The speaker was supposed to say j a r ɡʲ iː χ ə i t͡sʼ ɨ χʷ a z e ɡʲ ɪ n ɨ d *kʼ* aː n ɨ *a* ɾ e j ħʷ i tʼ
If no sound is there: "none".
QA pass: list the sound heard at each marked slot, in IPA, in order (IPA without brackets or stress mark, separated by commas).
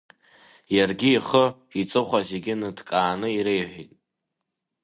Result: kʼ, i